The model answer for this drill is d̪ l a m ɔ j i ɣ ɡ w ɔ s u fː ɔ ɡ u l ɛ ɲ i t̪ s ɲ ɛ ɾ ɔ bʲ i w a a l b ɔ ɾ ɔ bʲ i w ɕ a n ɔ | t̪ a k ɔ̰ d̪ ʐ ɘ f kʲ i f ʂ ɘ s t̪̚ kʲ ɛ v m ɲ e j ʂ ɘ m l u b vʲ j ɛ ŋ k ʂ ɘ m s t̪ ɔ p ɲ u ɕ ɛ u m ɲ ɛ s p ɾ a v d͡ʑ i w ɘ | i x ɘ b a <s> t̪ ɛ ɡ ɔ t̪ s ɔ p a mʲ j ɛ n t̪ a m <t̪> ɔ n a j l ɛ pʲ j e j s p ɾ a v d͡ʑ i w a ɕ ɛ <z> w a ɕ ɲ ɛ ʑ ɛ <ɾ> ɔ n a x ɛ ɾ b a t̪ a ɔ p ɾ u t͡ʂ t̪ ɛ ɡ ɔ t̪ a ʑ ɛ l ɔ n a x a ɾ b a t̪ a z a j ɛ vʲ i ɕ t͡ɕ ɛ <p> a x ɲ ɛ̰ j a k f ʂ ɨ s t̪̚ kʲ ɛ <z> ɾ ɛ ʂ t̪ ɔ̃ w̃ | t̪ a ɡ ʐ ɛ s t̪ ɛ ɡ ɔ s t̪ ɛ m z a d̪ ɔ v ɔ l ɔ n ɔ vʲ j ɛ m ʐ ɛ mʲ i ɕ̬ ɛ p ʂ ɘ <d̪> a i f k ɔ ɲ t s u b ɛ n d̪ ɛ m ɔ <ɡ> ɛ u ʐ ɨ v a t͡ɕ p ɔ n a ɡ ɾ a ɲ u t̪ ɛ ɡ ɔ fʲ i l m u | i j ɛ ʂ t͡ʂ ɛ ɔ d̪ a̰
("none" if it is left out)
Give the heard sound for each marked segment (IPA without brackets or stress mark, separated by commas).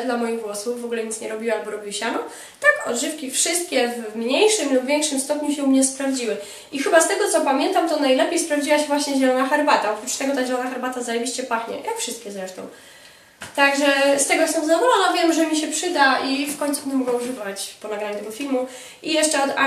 s, t̪, v, l, p, z, d̪, ɡ